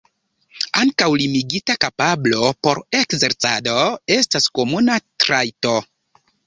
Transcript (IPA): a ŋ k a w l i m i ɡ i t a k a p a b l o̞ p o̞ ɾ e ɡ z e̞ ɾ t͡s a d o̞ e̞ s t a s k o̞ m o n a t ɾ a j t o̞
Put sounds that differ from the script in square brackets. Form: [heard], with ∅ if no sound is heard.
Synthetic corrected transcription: a ŋ k a w l i m i ɡ i t a k a p a b l o̞ p o̞ ɾ e [k] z e̞ ɾ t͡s a d o̞ e̞ s t a s k o̞ m [u] n a t ɾ a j t o̞